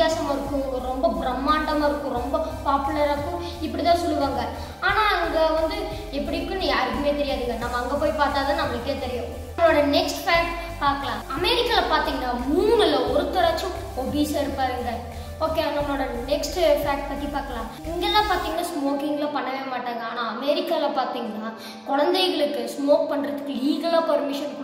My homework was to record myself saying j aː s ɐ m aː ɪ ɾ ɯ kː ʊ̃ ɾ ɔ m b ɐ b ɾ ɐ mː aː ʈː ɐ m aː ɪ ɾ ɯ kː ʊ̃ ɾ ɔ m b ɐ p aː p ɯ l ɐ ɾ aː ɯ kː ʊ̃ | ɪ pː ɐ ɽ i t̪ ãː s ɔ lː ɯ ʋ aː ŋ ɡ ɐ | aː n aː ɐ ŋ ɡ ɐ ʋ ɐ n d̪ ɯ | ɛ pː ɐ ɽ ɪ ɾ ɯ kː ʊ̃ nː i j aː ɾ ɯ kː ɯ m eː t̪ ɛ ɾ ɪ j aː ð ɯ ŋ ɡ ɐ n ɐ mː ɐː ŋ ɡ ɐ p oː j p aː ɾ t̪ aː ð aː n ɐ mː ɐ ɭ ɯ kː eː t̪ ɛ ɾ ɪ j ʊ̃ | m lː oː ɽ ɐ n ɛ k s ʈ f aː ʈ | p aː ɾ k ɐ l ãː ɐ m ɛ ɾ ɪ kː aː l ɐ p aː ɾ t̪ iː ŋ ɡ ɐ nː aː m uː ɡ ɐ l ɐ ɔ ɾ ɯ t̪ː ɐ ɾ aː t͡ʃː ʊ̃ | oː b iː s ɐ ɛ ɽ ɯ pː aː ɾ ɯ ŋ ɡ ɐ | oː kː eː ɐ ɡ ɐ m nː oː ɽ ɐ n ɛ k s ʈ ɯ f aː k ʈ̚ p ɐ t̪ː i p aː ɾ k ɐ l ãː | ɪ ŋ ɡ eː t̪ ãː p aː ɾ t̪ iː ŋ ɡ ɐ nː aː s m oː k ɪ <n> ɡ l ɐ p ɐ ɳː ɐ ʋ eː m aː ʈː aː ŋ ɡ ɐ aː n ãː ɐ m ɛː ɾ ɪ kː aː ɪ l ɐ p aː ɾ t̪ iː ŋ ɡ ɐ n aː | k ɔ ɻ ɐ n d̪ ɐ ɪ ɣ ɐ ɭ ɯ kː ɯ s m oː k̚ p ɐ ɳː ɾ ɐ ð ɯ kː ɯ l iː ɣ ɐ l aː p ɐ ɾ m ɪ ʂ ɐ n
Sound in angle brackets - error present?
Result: yes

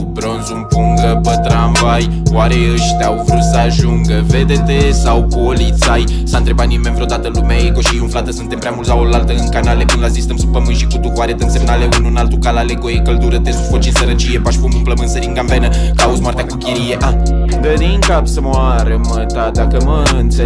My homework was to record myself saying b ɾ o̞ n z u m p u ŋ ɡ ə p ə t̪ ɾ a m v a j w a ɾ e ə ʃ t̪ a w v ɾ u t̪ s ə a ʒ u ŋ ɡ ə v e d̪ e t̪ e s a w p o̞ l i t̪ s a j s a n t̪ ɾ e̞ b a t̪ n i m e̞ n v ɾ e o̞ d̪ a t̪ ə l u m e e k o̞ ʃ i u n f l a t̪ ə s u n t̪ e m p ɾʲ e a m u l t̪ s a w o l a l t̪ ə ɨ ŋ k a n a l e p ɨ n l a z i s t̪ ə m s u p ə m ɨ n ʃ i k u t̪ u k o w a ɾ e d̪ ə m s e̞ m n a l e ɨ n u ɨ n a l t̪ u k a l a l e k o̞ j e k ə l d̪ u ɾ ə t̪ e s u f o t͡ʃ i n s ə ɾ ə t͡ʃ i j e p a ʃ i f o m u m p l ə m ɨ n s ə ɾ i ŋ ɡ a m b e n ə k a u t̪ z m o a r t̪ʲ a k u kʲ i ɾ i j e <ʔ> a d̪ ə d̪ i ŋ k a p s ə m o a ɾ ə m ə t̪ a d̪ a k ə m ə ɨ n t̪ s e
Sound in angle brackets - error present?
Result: no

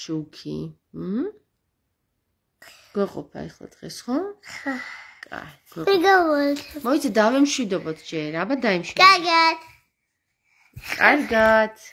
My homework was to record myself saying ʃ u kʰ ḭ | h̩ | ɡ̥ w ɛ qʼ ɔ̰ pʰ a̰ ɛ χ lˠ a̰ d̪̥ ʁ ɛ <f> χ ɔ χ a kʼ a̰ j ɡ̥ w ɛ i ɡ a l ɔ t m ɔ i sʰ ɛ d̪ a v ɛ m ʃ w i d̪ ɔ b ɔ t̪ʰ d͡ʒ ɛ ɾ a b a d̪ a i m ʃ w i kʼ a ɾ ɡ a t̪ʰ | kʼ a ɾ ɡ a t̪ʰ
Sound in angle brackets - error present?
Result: yes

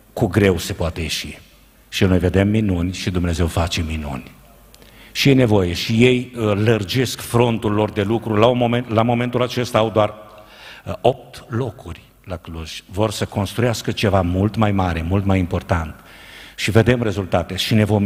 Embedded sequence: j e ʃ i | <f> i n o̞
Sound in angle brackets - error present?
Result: yes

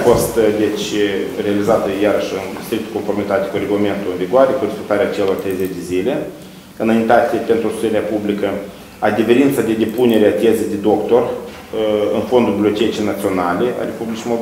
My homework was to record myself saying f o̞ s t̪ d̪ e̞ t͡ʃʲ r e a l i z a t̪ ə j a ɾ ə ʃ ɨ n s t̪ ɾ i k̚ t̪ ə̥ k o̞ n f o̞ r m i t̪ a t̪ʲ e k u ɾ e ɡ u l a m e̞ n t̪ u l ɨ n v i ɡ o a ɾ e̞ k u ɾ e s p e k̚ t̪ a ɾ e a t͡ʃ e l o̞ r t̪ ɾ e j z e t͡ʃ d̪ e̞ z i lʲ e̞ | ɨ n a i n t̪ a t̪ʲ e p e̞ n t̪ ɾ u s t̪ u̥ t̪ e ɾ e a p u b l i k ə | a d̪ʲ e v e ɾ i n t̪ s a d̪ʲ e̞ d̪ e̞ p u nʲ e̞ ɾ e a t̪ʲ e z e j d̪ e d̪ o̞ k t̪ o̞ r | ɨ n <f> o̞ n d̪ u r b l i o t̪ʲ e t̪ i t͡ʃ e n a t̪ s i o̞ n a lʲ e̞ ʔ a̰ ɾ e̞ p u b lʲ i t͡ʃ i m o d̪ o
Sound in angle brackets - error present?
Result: no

